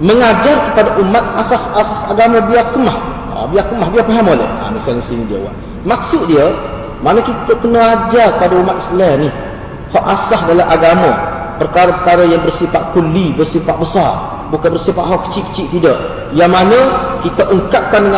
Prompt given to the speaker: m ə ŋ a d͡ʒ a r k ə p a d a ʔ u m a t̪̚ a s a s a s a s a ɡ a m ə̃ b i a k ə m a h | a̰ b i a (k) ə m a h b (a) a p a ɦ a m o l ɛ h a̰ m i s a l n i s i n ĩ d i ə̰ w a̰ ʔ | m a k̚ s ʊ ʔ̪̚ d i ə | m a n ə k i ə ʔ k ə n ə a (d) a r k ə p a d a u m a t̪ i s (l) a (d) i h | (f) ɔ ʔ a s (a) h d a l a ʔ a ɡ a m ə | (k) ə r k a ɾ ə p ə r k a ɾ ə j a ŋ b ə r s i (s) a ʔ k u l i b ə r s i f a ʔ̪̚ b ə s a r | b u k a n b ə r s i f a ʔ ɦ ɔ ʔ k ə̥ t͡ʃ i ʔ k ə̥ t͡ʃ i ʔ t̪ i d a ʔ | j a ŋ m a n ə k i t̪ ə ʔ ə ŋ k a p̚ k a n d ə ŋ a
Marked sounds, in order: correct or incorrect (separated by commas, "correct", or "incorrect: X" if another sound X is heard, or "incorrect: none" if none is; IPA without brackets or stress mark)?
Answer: correct, incorrect: i, incorrect: d͡ʒ, correct, incorrect: n, incorrect: h, correct, incorrect: p, incorrect: f